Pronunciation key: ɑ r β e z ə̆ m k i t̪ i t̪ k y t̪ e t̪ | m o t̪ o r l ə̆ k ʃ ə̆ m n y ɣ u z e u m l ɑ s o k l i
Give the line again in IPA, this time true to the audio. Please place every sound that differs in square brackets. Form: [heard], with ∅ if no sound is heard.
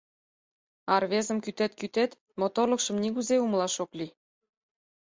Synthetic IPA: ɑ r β e z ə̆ m k [y] t̪ [e] t̪ k y t̪ e t̪ | m o t̪ o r l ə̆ k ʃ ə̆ m n [i] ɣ u z e u m l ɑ [ʃ] o k l i